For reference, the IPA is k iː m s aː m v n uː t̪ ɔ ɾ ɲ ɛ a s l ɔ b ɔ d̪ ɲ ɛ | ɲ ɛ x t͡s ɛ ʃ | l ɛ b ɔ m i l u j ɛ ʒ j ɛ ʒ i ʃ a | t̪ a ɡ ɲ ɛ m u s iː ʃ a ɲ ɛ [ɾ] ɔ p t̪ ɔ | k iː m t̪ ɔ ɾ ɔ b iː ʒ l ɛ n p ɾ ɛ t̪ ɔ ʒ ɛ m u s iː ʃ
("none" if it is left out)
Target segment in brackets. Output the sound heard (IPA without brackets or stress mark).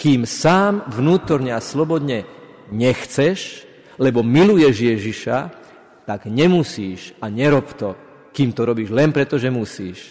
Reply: ɾ